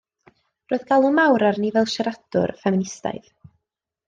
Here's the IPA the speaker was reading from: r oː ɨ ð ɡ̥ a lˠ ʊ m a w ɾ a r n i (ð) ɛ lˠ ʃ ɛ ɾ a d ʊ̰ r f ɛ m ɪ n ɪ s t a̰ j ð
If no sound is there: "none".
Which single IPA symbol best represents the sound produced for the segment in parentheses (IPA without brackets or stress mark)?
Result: v